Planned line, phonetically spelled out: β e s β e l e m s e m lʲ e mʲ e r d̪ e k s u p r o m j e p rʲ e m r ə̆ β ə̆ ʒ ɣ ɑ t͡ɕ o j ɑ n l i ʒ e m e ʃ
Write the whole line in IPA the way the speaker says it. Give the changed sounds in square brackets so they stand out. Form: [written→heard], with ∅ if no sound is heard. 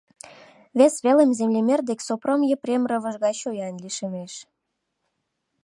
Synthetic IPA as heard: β e s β e l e m [s→z] e m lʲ e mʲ e r d̪ e k s [u→o] p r o m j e p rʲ e m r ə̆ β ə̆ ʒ ɣ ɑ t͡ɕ o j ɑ n l i [ʒ→ʃ] e m e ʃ